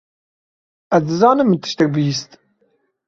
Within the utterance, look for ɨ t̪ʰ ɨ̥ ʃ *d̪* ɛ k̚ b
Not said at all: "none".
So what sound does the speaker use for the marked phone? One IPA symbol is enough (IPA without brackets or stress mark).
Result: t̪